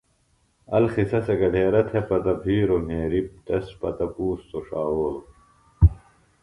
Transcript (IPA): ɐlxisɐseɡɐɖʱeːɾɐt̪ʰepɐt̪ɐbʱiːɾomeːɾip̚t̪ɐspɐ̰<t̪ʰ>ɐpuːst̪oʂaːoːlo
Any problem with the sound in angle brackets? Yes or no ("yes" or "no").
yes